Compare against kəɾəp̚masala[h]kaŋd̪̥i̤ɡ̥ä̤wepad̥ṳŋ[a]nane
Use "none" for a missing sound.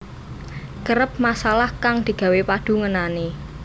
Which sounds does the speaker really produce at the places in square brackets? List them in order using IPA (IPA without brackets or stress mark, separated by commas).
h, ə